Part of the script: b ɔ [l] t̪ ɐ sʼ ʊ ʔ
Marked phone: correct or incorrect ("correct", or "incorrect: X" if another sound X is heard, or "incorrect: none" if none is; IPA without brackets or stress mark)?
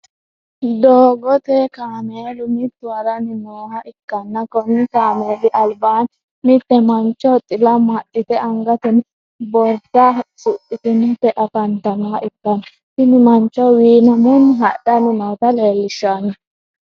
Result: incorrect: ɾ